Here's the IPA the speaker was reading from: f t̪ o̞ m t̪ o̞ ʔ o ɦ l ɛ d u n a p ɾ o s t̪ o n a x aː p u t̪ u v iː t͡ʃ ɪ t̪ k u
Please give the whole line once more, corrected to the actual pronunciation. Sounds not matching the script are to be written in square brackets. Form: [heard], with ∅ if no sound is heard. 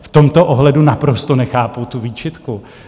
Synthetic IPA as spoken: f t̪ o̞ m t̪ o̞ ʔ o ɦ l ɛ d u n a p ɾ o s t̪ o n [ɛ] x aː p u t̪ u v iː t͡ʃ ɪ t̪ k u